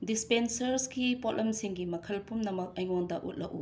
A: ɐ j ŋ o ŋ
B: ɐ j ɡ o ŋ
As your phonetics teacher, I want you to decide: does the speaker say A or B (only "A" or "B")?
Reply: A